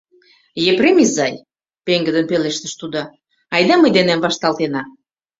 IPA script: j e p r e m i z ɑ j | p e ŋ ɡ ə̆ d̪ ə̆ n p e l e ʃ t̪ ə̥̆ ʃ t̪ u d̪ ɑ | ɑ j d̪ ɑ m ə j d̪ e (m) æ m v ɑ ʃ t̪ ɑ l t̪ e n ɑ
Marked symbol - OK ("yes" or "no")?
no